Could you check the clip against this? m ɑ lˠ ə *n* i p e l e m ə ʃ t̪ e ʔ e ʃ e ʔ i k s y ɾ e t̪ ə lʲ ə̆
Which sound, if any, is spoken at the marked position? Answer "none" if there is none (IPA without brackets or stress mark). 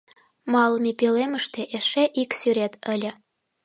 m